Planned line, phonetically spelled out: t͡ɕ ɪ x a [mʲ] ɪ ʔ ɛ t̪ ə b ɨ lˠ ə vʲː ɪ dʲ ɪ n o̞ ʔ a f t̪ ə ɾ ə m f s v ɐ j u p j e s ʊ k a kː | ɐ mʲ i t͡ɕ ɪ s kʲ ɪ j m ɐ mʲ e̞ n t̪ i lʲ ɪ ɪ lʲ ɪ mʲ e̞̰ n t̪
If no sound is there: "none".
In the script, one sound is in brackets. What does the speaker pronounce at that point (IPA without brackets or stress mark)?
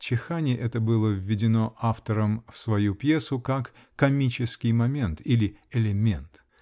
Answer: nʲ